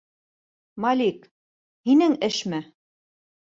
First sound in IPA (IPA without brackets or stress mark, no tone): m